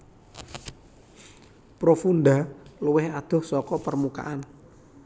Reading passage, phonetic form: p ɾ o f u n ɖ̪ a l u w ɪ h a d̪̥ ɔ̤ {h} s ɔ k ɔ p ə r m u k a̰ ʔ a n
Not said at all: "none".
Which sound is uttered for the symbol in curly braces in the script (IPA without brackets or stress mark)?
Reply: h